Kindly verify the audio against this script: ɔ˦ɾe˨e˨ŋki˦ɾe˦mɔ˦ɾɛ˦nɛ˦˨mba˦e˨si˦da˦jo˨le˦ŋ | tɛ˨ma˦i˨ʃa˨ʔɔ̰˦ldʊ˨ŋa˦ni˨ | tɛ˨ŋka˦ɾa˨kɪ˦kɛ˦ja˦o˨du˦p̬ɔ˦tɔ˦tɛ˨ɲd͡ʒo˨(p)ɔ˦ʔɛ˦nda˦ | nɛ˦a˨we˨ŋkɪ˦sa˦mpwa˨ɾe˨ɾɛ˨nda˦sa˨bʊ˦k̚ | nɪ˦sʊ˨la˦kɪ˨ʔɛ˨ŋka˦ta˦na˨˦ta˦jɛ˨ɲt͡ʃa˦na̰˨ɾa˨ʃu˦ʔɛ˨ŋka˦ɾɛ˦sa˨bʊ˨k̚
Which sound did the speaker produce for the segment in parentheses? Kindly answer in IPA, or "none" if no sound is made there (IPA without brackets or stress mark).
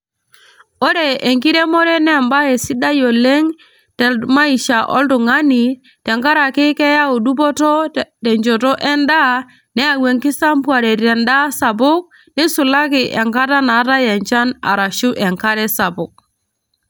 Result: t